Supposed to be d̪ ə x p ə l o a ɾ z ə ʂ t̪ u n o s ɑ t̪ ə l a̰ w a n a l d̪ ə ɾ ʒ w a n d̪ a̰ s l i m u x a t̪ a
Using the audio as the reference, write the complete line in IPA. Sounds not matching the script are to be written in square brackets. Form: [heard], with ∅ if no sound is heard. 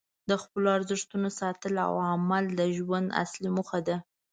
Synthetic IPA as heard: d̪ ə x p ə l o a ɾ z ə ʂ t̪ u n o s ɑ t̪ ə l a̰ w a [m] a l d̪ ə [∅] ʒ w a n d̪ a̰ s l i m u x a [d̪] a